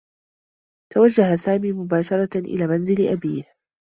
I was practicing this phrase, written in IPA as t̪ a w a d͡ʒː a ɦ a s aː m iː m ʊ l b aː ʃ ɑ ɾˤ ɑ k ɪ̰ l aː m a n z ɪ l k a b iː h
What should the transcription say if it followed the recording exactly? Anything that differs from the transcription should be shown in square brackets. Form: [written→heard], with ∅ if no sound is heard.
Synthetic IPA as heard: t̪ a w a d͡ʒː a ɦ a s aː m iː m ʊ [l→∅] b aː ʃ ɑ ɾˤ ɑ [k→ʔ] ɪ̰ l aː m a n z ɪ l [k→ʔ] a b iː h